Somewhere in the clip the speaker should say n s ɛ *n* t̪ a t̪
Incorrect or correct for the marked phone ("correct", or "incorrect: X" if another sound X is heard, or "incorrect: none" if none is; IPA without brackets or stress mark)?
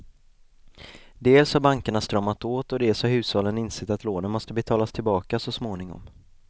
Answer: incorrect: none